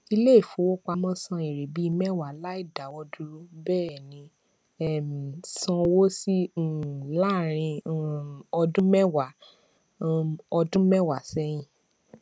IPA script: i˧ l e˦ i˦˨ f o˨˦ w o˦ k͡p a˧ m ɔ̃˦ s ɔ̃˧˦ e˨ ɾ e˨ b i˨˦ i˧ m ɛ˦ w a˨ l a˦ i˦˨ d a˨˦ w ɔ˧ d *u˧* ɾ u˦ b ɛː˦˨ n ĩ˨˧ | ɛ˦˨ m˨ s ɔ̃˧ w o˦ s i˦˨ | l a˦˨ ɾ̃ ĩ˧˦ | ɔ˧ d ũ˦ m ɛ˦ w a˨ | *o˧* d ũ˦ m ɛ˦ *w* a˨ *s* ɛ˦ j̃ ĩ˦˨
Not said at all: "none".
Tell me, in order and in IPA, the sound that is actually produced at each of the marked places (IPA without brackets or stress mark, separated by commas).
u˧, ɔ˧, w, s